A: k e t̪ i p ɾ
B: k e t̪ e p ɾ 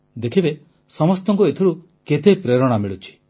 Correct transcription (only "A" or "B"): B